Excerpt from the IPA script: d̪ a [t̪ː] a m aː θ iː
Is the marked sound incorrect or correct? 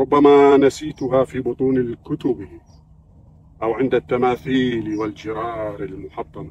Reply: correct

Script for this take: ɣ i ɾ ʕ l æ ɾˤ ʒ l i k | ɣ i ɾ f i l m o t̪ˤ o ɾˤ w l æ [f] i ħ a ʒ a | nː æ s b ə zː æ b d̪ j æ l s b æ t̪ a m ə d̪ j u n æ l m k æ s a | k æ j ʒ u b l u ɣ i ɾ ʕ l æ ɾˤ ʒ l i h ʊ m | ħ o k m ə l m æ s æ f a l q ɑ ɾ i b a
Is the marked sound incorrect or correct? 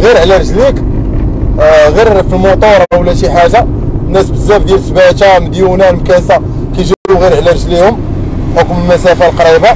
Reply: incorrect: ʃ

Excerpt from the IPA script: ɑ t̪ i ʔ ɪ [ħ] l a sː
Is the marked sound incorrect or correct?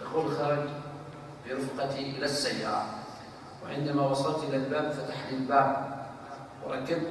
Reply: incorrect: none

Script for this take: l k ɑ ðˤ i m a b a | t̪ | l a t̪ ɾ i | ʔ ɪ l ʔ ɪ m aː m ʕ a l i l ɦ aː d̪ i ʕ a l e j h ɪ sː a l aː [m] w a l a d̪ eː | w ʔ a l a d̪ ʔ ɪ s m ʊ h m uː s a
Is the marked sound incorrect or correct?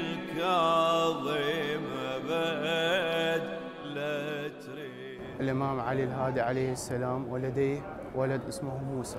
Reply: correct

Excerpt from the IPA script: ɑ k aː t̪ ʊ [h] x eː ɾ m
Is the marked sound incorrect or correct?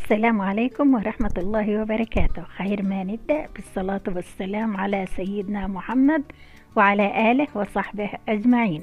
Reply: correct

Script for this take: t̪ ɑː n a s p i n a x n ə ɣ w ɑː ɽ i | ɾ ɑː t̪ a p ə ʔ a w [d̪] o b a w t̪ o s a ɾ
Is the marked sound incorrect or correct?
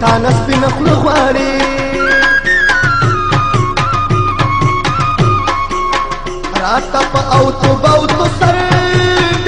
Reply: incorrect: t̪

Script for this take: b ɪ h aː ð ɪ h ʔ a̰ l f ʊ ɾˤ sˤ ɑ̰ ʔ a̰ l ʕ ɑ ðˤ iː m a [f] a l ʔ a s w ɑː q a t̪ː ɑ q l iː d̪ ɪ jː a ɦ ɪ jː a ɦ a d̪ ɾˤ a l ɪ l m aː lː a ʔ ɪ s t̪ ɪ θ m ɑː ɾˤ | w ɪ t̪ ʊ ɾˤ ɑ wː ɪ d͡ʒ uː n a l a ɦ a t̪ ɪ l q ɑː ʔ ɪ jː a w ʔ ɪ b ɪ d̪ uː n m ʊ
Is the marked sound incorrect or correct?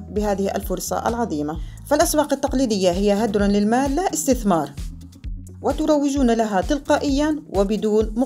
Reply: correct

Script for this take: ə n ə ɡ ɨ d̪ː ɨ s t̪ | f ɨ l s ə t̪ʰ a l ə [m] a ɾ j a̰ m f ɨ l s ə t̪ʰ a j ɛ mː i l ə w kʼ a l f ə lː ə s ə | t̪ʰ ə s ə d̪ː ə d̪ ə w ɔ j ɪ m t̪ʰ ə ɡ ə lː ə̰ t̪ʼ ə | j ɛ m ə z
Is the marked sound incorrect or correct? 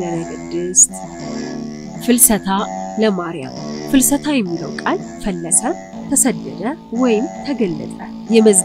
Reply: correct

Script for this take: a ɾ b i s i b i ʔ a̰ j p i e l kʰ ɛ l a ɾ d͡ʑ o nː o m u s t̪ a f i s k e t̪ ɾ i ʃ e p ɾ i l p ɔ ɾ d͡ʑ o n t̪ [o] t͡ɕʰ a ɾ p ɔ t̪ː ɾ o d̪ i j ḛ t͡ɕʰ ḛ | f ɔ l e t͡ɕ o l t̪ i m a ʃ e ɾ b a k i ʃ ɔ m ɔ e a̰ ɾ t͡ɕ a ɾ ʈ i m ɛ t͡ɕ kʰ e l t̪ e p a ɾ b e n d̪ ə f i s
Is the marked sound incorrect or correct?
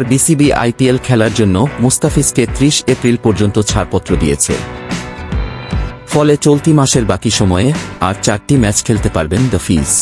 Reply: correct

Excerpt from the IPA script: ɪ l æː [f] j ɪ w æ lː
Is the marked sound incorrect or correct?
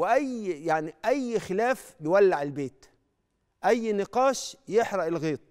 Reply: correct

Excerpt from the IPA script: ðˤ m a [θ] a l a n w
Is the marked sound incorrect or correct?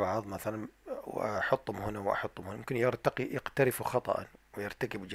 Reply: correct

